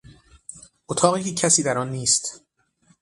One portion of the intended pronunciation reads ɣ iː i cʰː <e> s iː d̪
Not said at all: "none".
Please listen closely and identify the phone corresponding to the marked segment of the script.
æ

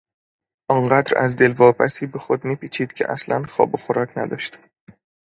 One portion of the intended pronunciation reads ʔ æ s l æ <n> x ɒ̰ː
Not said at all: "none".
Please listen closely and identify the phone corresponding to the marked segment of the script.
n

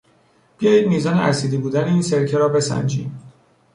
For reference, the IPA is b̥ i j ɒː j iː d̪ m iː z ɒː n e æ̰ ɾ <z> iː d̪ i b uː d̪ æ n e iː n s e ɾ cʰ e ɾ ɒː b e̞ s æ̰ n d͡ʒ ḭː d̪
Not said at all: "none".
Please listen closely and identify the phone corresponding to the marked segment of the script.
s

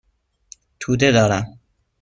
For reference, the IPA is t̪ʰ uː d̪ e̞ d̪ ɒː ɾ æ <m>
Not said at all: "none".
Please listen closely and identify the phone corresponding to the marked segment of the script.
m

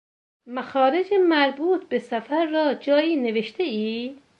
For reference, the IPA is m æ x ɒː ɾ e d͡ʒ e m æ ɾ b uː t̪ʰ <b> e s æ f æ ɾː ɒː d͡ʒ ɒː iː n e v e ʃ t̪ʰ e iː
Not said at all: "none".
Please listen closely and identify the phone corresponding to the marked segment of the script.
b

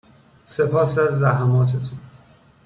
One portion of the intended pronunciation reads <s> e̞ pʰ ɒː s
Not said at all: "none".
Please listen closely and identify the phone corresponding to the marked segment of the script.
s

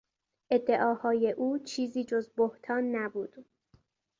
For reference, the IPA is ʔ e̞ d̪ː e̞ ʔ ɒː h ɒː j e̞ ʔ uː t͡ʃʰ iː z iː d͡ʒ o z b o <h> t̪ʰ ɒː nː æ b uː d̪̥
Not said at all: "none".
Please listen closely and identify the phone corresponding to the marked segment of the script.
h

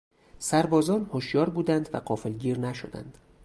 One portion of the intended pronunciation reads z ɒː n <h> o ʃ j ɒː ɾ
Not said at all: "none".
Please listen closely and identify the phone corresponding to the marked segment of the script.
h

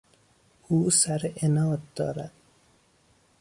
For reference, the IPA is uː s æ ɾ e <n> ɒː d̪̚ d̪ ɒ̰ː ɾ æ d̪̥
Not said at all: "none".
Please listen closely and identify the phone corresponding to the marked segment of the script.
n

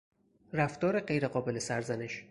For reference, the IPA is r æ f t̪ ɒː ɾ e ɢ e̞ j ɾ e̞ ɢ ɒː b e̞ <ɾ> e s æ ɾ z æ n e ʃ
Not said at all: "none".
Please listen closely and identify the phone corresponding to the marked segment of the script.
l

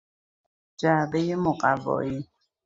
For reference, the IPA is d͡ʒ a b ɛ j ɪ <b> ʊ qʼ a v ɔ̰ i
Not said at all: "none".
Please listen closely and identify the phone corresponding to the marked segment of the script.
m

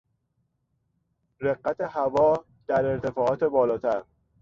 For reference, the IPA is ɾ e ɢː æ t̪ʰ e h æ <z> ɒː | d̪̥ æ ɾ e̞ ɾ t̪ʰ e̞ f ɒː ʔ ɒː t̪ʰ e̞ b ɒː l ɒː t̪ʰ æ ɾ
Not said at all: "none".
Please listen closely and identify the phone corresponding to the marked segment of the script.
v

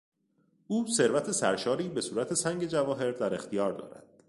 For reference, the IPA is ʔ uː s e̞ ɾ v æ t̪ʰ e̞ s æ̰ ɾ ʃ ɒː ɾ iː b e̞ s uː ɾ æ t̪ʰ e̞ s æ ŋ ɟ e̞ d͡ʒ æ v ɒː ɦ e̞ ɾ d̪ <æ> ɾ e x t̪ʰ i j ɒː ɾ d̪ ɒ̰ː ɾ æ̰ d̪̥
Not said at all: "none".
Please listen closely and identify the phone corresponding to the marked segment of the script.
æ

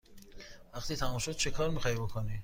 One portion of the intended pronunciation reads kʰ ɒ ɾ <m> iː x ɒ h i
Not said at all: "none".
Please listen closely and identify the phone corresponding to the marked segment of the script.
m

